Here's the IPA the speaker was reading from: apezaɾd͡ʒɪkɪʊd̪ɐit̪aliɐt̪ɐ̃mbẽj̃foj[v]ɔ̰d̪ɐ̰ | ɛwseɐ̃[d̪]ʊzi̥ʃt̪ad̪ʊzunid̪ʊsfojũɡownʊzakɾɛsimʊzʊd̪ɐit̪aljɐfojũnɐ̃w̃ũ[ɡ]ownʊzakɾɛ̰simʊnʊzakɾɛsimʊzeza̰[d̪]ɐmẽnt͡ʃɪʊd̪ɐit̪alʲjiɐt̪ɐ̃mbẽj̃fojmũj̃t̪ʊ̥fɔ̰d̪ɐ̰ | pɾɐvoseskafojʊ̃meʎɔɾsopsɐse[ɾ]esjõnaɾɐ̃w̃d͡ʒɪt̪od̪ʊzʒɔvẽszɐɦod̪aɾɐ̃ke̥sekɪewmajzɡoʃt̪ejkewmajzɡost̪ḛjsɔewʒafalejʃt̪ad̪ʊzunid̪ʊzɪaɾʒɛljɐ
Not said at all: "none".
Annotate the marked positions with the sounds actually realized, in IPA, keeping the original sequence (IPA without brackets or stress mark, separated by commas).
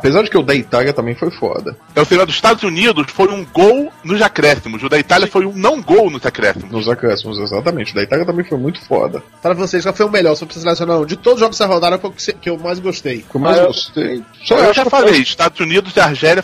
f, d̪, ɡ, t̪, l